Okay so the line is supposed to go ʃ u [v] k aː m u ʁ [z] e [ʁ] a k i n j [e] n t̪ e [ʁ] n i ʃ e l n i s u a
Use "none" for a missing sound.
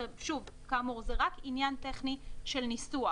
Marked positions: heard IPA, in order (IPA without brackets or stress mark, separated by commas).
v, z, ʁ, a, χ